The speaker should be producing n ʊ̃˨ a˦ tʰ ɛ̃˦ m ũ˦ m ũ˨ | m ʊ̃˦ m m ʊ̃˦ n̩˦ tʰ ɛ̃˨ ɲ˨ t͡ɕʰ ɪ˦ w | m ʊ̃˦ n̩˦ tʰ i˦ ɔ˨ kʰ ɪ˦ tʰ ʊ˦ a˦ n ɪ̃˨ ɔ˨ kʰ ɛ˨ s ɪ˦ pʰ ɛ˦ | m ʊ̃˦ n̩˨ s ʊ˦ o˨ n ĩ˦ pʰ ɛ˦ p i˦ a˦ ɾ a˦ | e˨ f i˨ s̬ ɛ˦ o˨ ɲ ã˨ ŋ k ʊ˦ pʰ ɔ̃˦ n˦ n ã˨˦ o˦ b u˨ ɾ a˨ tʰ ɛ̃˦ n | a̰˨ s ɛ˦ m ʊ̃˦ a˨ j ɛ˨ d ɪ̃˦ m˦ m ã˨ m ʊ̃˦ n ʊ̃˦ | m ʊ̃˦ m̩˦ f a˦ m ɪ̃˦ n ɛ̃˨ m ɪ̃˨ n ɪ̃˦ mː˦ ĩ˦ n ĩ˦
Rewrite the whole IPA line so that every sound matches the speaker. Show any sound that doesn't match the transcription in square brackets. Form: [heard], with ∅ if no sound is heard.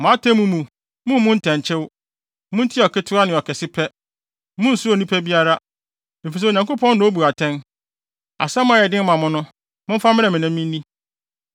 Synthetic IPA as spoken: [m] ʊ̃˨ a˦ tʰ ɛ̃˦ m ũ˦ m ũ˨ | m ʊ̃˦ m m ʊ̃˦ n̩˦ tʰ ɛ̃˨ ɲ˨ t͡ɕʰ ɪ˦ w | m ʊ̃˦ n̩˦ tʰ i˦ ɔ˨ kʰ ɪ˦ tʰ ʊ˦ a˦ n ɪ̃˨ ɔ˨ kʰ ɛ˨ s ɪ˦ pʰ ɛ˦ | m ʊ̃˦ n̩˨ s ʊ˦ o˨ n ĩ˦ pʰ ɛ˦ [b] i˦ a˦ ɾ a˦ | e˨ f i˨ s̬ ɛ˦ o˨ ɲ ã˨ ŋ k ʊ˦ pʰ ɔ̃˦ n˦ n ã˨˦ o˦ b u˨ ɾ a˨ tʰ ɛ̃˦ n | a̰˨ s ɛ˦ m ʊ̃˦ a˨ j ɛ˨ d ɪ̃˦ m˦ m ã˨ m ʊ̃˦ n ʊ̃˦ | m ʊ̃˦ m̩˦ f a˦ m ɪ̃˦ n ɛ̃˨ m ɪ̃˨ n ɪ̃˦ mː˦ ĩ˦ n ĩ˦

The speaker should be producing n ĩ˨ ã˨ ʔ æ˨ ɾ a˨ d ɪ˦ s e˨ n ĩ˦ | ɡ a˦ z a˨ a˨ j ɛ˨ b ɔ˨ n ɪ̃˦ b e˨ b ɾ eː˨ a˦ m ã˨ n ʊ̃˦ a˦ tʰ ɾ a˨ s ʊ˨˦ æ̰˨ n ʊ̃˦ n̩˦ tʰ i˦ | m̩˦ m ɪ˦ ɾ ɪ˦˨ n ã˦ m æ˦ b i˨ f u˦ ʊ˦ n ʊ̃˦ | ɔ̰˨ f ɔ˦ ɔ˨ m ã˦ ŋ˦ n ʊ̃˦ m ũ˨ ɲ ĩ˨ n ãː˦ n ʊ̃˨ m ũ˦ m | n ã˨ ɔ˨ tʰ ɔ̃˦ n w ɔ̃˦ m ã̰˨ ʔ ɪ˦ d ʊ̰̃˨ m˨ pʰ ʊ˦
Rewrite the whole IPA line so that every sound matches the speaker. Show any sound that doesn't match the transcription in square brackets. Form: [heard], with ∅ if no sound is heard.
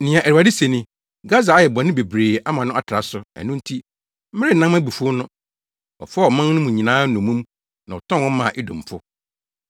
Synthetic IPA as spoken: n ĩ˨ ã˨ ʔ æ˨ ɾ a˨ d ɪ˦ s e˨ n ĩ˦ | ɡ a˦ z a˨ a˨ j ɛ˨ b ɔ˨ n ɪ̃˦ b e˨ b ɾ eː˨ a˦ m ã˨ n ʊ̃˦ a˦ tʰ ɾ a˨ s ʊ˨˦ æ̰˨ n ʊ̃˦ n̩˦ tʰ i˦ | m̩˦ m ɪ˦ ɾ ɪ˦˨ n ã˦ m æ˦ b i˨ f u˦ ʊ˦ n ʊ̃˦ | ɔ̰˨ f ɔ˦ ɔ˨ m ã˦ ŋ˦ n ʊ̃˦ m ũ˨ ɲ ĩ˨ n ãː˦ n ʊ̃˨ m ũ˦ m | n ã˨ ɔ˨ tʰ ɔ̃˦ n w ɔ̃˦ m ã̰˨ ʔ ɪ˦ d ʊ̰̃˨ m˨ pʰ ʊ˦

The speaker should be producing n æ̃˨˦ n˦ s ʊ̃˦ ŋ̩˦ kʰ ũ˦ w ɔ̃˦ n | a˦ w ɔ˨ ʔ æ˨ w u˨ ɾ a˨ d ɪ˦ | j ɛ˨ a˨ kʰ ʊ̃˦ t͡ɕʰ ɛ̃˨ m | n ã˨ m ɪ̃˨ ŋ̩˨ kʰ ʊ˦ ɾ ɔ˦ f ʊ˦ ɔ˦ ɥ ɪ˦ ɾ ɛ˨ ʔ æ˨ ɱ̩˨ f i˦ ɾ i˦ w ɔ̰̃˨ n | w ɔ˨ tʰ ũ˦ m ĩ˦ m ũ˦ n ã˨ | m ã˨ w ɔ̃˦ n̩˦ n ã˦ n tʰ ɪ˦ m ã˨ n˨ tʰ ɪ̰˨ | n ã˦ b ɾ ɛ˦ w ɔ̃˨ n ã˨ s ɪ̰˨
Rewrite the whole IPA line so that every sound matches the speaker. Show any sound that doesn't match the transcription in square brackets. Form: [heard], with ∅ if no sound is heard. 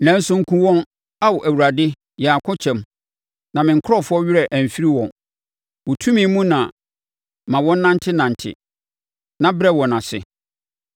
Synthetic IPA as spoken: n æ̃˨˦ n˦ s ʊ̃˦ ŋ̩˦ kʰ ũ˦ w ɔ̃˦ n | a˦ w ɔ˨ ʔ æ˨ w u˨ ɾ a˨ d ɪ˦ | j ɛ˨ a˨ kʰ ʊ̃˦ t͡ɕʰ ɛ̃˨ m | n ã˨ m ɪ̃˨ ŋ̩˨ kʰ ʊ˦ ɾ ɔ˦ f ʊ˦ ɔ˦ ɥ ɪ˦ ɾ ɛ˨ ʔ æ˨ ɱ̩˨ f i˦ ɾ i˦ w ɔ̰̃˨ n | w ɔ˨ tʰ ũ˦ m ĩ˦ m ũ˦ n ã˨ | m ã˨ w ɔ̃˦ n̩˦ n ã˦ n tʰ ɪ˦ [n] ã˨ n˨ tʰ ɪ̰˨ | n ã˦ b ɾ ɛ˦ w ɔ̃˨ n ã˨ s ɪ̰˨

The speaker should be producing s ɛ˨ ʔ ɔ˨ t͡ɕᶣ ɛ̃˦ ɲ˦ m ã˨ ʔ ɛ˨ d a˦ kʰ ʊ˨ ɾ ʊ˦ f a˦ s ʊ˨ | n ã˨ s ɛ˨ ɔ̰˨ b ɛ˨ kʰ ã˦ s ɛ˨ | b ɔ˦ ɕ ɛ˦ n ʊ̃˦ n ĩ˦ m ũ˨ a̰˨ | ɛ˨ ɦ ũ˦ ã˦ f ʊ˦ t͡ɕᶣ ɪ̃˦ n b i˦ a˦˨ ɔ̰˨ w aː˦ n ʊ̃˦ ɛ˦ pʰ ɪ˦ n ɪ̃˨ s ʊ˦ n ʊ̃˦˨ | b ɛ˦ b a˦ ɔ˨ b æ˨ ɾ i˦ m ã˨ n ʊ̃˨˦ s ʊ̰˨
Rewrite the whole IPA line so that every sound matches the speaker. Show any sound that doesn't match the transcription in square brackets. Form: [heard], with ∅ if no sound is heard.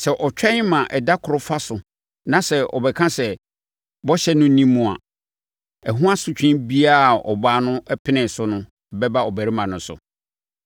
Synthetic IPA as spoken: s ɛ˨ ʔ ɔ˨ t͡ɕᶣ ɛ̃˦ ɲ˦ m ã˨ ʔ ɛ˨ d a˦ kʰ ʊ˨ ɾ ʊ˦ f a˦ s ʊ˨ | n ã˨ s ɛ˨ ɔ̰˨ b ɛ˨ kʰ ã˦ s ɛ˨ | b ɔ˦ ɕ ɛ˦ n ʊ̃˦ n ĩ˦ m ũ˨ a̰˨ | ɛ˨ ɦ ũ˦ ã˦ [s] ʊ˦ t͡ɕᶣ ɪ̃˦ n b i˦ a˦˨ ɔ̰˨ [b] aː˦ n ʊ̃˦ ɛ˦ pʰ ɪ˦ n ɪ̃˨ s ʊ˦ n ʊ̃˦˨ | b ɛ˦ b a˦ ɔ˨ b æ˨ ɾ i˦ m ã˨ n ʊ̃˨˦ s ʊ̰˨

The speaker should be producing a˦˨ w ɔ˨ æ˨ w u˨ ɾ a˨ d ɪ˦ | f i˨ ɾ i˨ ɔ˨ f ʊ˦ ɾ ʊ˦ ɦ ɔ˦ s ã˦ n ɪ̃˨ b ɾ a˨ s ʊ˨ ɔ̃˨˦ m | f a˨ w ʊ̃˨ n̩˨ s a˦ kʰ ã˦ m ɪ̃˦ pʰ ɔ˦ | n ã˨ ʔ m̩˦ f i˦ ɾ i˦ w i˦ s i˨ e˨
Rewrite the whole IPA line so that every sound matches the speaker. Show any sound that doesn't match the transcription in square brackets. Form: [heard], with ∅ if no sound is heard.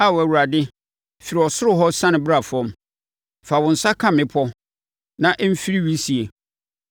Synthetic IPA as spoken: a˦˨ w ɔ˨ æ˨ w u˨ ɾ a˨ d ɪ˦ | f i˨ ɾ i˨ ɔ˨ [s] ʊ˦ ɾ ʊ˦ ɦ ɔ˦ s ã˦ n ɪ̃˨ b ɾ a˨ [f] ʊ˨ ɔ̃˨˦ m | f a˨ w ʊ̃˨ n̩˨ s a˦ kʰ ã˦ m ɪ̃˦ pʰ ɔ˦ | n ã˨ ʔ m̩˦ f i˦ ɾ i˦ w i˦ s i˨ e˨

